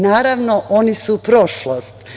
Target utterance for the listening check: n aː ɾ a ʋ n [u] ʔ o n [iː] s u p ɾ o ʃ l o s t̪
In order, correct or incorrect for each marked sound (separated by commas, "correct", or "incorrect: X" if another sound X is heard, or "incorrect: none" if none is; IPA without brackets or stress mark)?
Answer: incorrect: o, incorrect: i